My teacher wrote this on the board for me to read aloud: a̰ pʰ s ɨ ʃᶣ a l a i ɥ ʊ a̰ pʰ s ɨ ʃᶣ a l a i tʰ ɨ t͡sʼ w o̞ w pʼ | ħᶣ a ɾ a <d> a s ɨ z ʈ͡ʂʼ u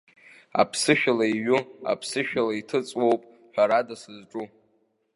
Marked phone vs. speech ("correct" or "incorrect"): correct